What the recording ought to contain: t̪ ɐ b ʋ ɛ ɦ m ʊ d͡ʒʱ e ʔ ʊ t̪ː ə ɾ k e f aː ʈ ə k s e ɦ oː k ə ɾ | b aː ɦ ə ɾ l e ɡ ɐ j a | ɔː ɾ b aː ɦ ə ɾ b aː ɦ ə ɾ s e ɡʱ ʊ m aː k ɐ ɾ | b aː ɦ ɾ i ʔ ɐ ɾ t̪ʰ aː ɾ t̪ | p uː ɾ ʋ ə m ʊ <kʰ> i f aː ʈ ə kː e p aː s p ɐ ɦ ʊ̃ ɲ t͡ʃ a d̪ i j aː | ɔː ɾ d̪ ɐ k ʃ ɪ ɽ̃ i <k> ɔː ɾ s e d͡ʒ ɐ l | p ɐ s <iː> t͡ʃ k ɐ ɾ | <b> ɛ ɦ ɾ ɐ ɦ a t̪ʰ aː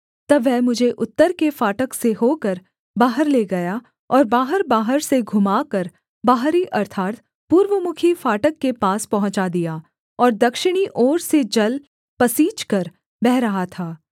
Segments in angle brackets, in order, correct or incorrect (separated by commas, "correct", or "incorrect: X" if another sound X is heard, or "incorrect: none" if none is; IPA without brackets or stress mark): correct, incorrect: ʔ, correct, correct